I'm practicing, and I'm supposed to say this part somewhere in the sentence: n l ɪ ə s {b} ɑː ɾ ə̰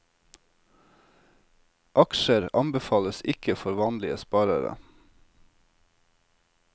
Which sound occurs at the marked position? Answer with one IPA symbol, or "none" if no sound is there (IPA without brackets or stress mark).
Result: p